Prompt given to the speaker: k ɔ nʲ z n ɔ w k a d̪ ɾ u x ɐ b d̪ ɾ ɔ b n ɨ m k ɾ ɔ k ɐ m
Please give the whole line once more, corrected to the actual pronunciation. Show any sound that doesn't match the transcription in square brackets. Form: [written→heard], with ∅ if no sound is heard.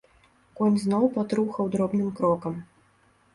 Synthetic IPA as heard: k ɔ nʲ z n ɔ w [k→p] a [d̪→t̪] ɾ u x ɐ [b→w] d̪ ɾ ɔ b n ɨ m k ɾ ɔ k ɐ m